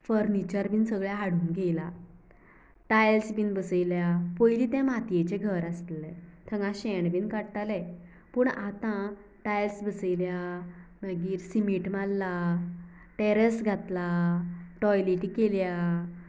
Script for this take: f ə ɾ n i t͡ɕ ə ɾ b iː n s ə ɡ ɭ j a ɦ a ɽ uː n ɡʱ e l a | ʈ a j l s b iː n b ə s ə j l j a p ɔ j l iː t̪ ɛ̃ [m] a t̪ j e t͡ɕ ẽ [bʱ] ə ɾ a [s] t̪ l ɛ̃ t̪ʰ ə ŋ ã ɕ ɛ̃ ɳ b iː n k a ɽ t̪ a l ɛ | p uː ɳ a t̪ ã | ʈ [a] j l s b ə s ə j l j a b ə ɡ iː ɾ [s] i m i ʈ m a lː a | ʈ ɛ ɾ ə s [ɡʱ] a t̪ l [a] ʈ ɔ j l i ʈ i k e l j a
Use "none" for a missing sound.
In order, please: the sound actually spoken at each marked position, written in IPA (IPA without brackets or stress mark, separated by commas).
m, ɡʱ, s, a, s, ɡʱ, a